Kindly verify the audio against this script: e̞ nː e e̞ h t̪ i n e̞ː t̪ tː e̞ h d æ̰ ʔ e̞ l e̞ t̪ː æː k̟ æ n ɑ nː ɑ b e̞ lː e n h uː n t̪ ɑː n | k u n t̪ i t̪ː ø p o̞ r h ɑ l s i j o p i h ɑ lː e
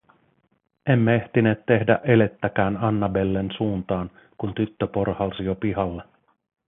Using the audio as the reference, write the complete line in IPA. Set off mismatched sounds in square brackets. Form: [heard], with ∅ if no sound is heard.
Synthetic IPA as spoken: e̞ [mː] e e̞ h t̪ i n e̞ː t̪ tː e̞ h d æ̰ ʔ e̞ l e̞ t̪ː [æ] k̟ [æː] n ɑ nː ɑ b e̞ lː e n [s] uː n t̪ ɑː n | k u n t̪ [y] t̪ː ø p o̞ r h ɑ l s i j o p i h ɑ lː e